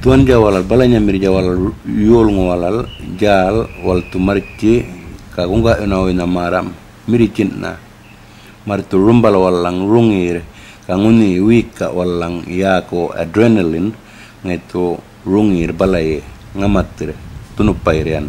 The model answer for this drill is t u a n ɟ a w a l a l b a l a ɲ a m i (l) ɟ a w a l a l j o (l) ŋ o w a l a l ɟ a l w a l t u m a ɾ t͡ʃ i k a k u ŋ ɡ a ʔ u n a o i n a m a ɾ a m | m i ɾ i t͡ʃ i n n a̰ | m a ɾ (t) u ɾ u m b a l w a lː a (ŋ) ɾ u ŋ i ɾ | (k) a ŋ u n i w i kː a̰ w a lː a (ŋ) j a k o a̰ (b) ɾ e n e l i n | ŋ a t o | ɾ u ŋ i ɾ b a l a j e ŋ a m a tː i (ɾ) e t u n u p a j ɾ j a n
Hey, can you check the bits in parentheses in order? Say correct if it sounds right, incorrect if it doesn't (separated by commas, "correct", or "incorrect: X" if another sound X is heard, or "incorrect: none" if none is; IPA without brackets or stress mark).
incorrect: ɾ, correct, correct, correct, correct, correct, incorrect: d, correct